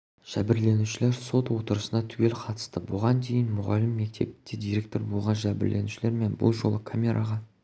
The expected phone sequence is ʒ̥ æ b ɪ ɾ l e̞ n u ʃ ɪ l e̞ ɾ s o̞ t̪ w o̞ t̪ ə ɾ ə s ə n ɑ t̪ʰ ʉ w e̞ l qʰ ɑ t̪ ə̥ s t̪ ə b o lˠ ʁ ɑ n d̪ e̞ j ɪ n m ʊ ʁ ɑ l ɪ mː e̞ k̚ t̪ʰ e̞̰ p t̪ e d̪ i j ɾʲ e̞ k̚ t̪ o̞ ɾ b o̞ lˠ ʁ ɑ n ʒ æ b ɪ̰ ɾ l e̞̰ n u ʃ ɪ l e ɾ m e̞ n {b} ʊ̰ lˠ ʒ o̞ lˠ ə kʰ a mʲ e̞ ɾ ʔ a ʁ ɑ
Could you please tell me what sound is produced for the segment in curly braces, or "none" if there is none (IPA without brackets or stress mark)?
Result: b